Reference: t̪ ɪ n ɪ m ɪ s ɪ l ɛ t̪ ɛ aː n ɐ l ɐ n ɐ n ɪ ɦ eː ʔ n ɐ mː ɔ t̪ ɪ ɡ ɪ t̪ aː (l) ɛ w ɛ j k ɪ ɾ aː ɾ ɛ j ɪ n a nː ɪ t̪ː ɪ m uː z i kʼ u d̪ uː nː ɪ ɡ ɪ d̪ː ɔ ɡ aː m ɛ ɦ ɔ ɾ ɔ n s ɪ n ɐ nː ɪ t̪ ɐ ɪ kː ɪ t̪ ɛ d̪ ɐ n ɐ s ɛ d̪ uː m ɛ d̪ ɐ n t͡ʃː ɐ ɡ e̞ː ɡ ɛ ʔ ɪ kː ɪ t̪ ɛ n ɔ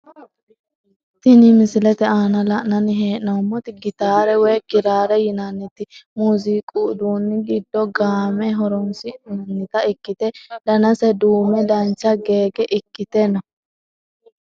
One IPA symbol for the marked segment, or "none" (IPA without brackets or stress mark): ɾ